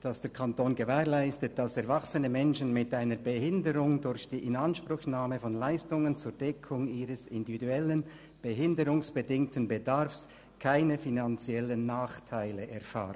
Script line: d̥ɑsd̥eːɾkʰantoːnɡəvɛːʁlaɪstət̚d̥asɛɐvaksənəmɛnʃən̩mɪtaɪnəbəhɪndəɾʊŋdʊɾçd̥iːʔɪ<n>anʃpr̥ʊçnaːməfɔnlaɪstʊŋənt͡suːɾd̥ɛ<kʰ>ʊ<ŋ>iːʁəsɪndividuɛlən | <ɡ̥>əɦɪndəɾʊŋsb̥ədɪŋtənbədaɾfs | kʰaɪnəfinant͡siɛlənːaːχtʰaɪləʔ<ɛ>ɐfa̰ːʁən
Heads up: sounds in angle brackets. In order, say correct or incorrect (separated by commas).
correct, correct, correct, incorrect, correct